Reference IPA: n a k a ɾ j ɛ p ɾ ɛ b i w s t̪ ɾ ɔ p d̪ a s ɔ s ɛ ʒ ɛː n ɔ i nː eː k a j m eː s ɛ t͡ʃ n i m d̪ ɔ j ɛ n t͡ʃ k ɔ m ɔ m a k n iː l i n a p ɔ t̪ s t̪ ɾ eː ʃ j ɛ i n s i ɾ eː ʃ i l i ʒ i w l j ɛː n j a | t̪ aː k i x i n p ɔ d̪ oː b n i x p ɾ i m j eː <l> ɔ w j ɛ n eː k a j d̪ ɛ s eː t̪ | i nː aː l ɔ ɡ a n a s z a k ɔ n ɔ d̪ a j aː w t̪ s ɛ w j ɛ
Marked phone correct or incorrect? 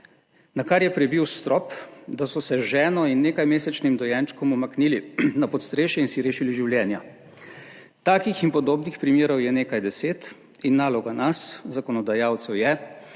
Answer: incorrect: ɾ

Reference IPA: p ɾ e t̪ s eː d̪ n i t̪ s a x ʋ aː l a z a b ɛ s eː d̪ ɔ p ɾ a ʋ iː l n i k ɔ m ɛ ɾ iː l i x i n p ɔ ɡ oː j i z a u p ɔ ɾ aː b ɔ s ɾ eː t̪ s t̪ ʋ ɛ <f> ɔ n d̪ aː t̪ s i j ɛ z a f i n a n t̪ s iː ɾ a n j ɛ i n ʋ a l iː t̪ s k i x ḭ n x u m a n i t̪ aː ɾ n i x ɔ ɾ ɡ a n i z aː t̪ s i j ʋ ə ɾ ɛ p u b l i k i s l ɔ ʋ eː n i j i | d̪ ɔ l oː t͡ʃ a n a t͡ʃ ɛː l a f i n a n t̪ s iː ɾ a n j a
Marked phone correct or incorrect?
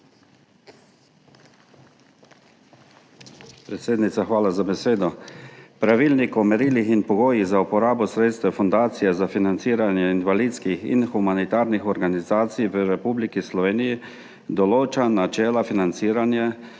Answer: correct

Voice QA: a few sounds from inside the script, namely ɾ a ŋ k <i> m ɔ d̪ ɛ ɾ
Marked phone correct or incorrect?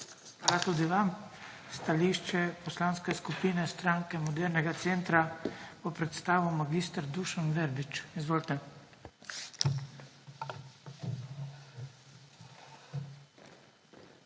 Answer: incorrect: ɛ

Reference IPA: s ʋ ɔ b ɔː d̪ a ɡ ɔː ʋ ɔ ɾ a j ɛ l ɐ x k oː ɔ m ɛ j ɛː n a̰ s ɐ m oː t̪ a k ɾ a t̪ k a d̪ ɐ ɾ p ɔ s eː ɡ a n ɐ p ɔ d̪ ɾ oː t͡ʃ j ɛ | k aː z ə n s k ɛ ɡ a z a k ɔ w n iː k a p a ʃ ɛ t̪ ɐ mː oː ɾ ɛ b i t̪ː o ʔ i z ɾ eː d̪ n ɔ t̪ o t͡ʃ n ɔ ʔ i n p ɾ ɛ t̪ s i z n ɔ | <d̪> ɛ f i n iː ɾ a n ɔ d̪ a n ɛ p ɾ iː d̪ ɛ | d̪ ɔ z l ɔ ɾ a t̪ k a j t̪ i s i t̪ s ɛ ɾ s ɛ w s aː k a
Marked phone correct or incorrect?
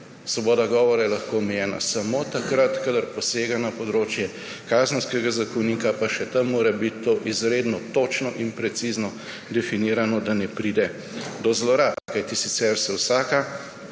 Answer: correct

